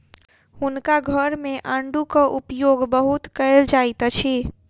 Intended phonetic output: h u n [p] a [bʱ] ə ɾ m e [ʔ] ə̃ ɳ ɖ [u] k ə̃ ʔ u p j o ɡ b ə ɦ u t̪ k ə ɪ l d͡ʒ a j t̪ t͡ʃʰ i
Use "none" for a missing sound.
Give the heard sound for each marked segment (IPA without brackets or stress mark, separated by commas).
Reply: k, ɡʱ, ʔ, u